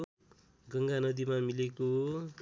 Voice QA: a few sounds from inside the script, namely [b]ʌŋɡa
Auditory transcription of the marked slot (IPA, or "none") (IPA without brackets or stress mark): ɡ